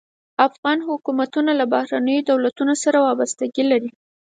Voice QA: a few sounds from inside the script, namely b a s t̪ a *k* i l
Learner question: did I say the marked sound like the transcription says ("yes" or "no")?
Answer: no